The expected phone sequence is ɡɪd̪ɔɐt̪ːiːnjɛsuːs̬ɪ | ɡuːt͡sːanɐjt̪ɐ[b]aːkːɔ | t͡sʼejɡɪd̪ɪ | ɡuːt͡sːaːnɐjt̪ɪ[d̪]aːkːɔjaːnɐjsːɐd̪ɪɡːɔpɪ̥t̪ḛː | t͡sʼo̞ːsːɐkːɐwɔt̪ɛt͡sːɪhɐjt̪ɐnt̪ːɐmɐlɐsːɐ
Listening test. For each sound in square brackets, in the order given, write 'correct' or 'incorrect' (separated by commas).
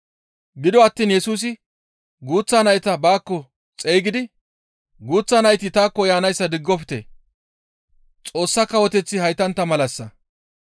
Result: correct, incorrect